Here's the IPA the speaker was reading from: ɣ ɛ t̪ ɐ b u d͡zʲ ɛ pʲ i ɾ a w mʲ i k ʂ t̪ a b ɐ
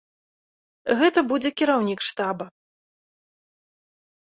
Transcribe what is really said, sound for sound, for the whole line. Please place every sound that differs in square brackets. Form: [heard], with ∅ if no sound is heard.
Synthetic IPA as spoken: ɣ ɛ t̪ ɐ b u d͡zʲ ɛ [kʲ] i ɾ a w [nʲ] i k ʂ t̪ a b ɐ